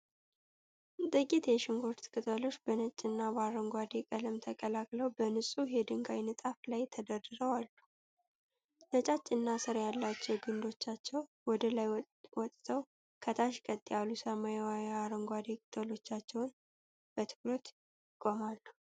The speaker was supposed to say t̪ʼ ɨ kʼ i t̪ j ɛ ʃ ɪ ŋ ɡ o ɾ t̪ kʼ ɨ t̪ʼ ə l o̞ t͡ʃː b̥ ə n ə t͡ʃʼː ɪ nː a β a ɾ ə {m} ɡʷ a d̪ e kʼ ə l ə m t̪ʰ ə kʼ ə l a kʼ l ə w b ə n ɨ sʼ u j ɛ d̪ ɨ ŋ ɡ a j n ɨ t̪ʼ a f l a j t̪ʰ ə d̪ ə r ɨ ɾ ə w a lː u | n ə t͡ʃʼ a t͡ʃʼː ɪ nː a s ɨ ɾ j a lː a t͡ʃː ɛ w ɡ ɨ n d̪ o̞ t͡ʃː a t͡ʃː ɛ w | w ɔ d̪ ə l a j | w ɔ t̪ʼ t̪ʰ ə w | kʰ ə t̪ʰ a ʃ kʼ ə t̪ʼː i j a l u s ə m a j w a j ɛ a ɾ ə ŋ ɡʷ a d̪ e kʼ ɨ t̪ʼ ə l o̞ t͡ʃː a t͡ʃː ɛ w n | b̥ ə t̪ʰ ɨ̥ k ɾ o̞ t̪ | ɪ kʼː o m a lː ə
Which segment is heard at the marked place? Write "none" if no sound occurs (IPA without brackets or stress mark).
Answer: ŋ